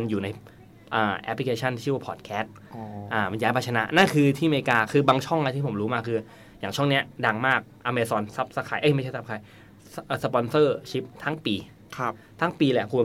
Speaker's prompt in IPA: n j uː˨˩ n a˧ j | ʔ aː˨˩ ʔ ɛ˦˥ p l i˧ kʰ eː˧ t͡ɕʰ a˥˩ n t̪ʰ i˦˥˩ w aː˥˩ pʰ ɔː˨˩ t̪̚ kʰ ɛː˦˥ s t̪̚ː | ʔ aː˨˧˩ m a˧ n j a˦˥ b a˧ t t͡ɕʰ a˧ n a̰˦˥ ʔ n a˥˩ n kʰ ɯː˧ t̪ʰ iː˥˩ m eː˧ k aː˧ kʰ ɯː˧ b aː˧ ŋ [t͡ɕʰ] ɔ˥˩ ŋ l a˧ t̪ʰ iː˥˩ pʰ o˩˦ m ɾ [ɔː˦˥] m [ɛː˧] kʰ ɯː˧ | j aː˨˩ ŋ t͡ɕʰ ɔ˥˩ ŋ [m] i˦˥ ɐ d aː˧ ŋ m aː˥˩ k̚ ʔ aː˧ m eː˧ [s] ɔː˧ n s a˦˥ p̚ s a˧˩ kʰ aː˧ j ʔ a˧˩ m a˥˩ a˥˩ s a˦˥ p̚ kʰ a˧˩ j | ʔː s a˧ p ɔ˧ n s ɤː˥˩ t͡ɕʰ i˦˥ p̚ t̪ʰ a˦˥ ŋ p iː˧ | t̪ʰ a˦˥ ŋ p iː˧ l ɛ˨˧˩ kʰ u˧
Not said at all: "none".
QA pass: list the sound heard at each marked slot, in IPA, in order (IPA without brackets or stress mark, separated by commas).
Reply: t͡ɕʰ, uː˦˥, aː˧, n, s